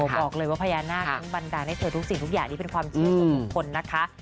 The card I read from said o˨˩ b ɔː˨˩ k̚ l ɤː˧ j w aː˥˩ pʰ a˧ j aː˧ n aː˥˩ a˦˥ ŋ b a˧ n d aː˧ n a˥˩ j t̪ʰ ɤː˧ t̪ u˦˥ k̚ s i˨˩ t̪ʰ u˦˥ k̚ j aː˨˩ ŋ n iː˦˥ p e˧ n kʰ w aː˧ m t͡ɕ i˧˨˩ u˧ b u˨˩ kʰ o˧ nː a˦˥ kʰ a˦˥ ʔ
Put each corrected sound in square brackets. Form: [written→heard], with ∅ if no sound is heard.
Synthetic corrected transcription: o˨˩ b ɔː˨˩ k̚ l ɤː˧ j w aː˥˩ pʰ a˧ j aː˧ n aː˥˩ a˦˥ ŋ b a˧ n d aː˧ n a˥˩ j t̪ʰ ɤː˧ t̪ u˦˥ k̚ s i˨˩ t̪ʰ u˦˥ k̚ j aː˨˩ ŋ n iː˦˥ p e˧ n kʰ w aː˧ m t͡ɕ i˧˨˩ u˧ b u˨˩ kʰ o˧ nː a˦˥ kʰ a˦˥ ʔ